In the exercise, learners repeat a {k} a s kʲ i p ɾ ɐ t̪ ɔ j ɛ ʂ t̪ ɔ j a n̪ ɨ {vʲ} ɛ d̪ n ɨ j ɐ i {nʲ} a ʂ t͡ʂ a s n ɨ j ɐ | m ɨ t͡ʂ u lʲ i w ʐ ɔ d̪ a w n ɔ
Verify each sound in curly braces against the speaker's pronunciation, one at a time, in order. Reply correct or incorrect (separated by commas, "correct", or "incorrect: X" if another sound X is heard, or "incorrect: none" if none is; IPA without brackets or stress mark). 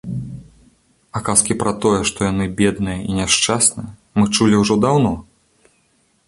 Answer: correct, incorrect: bʲ, correct